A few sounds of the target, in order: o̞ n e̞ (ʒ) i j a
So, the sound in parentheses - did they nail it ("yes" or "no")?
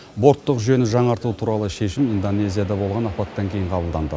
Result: no